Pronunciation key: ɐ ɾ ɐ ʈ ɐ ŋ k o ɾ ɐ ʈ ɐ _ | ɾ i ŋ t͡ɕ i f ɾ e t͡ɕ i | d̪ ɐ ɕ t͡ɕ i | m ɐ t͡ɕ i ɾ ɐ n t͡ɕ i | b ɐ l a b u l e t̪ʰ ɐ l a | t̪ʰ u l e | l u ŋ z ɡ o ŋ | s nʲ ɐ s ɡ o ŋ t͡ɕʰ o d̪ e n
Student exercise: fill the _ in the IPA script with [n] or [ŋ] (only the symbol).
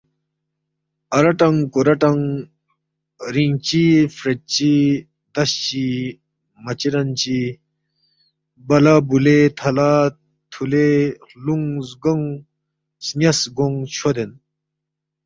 ŋ